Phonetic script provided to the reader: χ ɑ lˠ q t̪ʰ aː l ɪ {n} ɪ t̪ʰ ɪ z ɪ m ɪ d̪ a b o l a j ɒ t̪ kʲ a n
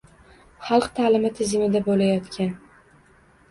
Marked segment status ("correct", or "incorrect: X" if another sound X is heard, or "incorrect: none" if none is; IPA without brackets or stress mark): incorrect: m